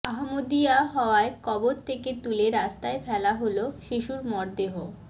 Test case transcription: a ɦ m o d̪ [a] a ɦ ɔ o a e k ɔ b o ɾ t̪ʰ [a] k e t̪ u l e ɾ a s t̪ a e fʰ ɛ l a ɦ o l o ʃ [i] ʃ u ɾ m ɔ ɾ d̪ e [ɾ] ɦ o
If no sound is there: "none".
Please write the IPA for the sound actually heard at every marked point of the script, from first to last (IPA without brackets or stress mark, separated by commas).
i, e, i, none